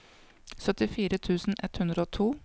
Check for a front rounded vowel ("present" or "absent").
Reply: present